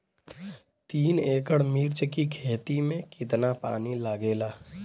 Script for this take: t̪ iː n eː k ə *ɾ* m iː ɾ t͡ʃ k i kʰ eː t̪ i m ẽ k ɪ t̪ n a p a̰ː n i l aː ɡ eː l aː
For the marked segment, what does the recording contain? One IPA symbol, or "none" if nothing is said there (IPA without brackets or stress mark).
ɽ